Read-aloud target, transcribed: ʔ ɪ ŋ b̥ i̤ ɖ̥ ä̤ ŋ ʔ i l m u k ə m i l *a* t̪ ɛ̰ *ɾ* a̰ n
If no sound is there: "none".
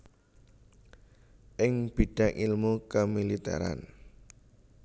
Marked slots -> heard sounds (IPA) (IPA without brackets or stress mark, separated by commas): i, ɾ